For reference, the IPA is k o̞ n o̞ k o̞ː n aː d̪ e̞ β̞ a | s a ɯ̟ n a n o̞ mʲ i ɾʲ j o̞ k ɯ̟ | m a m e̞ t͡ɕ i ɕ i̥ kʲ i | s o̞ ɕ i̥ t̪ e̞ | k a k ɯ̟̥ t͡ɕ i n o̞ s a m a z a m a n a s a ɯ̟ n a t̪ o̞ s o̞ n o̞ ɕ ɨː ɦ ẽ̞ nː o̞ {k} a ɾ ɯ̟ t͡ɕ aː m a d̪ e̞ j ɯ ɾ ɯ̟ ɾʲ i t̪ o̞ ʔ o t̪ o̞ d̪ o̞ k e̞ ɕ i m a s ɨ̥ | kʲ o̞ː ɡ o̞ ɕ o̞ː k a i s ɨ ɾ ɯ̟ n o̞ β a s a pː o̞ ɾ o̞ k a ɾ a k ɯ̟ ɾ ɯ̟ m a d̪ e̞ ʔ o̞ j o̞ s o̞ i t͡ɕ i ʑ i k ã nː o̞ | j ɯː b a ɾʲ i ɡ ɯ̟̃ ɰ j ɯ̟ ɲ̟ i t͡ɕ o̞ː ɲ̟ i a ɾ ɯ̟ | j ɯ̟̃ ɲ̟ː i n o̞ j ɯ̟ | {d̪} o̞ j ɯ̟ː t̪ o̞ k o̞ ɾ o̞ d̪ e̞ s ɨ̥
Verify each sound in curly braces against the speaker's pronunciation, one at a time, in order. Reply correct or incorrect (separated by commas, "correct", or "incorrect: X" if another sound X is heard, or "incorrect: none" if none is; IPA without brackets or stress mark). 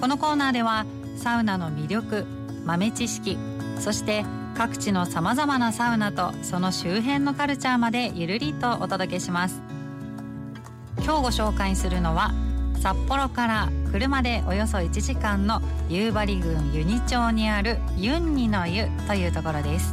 correct, incorrect: t̪